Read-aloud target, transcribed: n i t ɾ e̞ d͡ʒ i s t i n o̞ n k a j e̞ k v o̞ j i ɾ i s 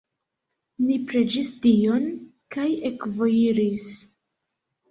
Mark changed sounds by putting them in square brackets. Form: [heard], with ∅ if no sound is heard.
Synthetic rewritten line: n i [p] ɾ e̞ d͡ʒ i s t i [∅] o̞ n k a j e̞ k v o̞ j i ɾ i s